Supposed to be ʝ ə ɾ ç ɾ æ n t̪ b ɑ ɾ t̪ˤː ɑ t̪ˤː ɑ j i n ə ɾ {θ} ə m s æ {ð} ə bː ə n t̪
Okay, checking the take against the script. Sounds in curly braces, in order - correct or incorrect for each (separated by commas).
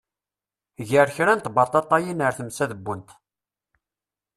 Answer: correct, correct